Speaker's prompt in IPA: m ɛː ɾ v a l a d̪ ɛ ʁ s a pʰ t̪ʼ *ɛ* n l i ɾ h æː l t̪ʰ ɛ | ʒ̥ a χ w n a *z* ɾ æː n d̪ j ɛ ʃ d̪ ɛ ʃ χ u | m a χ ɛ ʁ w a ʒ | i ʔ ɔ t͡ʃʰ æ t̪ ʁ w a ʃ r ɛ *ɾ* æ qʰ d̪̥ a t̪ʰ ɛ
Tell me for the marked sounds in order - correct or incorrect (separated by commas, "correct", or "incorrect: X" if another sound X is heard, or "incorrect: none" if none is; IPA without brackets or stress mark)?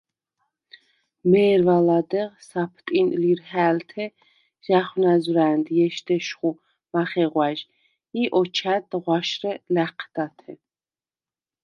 incorrect: i, correct, incorrect: l